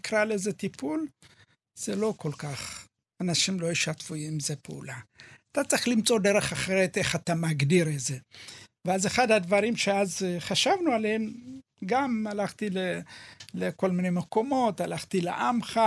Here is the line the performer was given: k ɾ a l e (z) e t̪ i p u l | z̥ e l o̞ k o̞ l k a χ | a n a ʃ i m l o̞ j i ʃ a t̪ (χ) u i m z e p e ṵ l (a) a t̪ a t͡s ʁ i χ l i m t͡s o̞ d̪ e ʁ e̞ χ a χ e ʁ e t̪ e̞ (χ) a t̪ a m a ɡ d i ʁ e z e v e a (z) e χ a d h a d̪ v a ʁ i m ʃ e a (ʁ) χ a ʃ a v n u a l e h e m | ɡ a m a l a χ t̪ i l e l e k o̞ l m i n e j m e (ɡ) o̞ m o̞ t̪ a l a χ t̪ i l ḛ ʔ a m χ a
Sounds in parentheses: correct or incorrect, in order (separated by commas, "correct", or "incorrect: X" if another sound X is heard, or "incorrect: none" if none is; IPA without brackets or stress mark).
correct, incorrect: f, correct, correct, correct, incorrect: z, incorrect: k